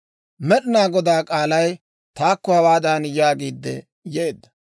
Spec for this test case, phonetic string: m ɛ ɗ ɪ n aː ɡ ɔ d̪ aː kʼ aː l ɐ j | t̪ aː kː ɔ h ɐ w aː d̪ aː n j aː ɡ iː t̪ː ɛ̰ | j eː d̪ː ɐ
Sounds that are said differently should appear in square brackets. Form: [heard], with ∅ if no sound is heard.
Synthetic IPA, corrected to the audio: m ɛ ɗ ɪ n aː ɡ ɔ d̪ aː kʼ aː l ɐ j | t̪ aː kː ɔ h ɐ w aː d̪ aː n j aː ɡ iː [d̪ː] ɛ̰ | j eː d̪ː ɐ